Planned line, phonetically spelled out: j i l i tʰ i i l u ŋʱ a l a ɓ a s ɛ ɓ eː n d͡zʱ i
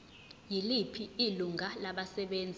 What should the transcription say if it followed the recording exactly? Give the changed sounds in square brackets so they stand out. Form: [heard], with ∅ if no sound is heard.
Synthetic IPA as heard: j i l i [pʰ] i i l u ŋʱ a l a ɓ a s ɛ ɓ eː n d͡zʱ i